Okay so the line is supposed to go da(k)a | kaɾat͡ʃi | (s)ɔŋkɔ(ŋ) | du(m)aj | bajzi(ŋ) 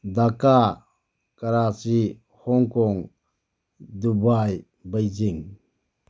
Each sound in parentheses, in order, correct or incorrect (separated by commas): correct, incorrect, correct, incorrect, correct